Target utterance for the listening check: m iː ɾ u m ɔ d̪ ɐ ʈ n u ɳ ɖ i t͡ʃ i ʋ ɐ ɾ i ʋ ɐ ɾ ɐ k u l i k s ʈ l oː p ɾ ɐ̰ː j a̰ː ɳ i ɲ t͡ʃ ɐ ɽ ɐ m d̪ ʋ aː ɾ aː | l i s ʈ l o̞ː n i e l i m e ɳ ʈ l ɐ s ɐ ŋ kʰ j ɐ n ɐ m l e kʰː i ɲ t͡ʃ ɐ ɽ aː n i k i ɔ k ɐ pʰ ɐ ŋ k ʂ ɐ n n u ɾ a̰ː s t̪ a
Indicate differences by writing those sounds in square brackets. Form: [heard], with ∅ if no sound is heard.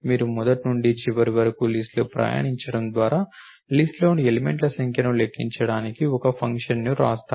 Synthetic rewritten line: m iː ɾ u m ɔ d̪ ɐ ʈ n u ɳ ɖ i t͡ʃ i ʋ ɐ ɾ i ʋ ɐ ɾ ɐ k u l i [∅] s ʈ l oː p ɾ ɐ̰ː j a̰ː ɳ i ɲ t͡ʃ ɐ ɽ ɐ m d̪ ʋ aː ɾ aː | l i s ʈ l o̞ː n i e l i m e ɳ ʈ l ɐ s ɐ ŋ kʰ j ɐ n ɐ m l e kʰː i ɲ t͡ʃ ɐ ɽ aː n i k i ɔ k ɐ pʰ ɐ ŋ k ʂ ɐ n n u ɾ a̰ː s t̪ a